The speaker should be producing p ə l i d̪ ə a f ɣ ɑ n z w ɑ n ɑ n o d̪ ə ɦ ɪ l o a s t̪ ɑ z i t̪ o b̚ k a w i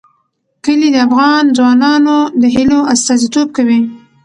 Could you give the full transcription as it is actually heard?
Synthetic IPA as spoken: k ə l i d̪ ə a f ɣ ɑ n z w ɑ n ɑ n o d̪ ə ɦ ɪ l o a s t̪ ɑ z i t̪ o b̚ k a w i